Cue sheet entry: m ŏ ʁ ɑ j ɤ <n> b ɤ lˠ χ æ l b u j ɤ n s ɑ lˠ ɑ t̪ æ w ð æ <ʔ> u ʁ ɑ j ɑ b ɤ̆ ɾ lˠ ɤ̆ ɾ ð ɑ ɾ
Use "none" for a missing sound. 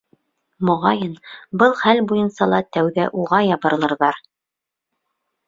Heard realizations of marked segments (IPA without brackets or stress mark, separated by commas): n, ʔ